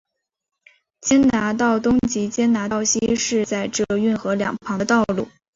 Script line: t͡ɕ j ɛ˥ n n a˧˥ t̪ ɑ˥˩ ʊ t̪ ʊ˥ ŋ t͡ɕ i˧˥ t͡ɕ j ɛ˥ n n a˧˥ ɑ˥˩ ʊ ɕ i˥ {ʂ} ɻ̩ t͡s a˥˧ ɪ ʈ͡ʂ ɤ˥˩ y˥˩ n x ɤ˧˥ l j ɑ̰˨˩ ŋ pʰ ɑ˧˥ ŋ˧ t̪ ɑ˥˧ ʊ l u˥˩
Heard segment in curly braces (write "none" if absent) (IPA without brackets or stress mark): ʂ